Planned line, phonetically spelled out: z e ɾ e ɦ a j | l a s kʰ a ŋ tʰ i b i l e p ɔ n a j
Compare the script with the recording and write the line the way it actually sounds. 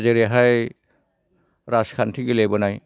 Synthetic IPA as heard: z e ɾ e ɦ a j | ɾ a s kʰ a n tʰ i ɡ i l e b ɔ n a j